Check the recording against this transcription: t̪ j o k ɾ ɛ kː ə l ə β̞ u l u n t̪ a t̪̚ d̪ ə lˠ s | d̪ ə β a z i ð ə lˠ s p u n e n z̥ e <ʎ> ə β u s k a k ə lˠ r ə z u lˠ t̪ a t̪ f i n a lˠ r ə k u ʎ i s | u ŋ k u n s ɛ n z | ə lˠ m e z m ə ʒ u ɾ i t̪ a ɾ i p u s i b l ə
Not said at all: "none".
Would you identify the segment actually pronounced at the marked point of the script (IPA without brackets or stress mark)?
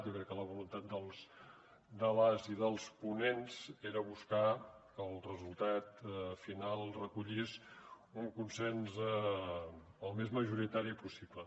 ɾ